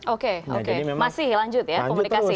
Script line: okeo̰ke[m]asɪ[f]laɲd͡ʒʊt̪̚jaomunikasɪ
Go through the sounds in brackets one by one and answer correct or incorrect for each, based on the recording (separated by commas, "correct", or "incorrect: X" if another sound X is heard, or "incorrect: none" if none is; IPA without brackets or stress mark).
correct, incorrect: h